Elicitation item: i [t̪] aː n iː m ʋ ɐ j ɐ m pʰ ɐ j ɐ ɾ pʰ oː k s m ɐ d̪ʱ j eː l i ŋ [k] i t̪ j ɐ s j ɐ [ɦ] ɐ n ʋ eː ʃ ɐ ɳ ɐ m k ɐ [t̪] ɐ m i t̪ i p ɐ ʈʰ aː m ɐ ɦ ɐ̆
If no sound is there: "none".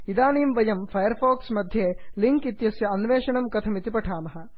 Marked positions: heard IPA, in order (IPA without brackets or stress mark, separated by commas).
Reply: d̪, k, none, t̪ʰ